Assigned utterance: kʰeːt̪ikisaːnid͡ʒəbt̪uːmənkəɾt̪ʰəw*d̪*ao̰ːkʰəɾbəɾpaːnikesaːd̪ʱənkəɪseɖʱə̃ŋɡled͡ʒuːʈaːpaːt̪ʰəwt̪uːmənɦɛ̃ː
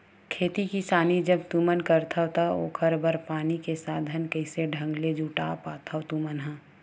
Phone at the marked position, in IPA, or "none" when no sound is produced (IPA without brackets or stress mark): t̪